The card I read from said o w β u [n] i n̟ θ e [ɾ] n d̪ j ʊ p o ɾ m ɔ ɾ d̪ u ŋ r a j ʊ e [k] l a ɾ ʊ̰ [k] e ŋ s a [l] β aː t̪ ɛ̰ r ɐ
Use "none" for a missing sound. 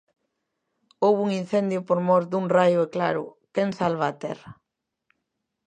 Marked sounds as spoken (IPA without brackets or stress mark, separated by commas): ŋ, none, k, k, l